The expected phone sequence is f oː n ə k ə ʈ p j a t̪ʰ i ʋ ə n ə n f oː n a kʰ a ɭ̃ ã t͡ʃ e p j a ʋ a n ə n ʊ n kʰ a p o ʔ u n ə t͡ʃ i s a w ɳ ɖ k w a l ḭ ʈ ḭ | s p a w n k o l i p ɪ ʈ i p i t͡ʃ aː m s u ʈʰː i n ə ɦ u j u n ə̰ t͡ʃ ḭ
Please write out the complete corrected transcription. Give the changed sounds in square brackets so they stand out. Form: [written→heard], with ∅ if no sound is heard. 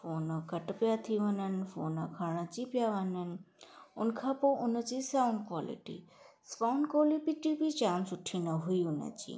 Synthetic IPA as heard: f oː n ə k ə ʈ p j a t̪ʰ i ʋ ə n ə n f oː n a kʰ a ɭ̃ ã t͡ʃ [e→i] p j a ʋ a n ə n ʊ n kʰ a p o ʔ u n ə t͡ʃ i s a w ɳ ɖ k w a l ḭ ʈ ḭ | s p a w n k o l i p [ɪ→i] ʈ i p i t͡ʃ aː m s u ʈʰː i n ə ɦ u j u n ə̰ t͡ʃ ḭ